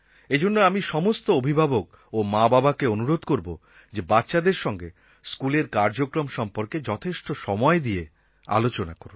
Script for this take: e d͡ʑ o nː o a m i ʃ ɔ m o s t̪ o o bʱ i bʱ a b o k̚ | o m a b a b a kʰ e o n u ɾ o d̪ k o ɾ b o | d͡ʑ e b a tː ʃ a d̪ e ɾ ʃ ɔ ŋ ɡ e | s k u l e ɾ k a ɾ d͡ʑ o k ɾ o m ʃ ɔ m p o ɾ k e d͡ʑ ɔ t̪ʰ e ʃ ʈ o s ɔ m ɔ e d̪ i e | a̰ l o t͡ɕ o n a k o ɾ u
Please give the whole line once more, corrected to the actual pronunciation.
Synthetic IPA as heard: e d͡ʑ o nː o a m i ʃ ɔ m o s t̪ o o bʱ i bʱ a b o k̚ | o m a b a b a k e o n u ɾ o d̪ k o ɾ b o | d͡ʑ e b a tː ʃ a d̪ e ɾ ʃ ɔ ŋ ɡ e | s k u l e ɾ k a ɾ d͡ʑ o k ɾ o m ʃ ɔ m p o ɾ k e d͡ʑ ɔ t̪ʰ e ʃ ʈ o ʃ ɔ m ɔ e d̪ i e | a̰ l o t͡ɕ o n a k o ɾ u